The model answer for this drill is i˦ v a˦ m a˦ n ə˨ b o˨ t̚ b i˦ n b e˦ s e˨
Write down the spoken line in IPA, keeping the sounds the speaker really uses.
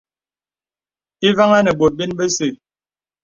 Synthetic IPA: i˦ v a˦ ŋ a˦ n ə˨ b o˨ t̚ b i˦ n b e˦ s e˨